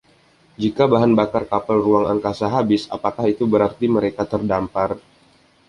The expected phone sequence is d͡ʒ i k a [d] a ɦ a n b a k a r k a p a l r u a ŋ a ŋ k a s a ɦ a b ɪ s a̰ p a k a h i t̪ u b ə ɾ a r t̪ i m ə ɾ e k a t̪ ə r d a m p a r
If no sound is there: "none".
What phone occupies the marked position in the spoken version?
b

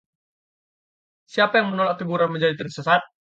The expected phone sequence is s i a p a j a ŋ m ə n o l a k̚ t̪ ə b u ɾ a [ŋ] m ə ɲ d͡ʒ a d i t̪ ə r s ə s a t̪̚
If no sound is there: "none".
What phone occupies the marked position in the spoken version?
n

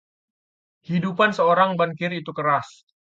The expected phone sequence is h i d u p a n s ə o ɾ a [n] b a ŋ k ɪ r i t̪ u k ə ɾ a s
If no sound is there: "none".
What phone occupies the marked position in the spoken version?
ŋ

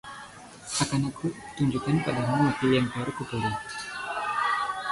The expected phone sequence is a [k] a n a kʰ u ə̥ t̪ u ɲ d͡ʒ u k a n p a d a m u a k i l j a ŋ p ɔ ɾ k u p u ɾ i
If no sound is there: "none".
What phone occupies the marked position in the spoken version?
k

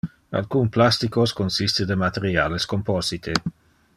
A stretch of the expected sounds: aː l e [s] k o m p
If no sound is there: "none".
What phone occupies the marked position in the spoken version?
s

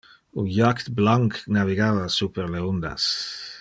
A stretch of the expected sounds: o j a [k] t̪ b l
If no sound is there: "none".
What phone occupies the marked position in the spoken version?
k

